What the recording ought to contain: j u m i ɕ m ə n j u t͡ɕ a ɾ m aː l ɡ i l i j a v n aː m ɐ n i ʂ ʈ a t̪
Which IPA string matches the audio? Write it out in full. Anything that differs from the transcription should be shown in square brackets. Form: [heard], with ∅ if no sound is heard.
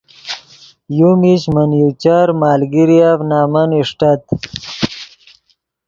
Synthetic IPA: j u m i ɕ m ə n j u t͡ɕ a ɾ m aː l ɡ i [ɾ] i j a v n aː m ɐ n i ʂ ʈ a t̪